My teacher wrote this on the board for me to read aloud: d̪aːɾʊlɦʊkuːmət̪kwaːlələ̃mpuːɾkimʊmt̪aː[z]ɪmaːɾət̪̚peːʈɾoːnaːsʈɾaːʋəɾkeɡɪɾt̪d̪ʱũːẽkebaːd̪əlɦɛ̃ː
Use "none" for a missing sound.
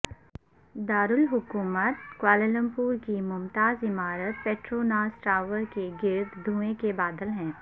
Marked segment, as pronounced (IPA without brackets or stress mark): z